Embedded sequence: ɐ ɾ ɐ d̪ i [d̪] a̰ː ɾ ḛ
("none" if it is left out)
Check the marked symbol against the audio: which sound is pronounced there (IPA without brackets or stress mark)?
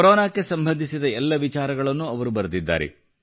d̪ː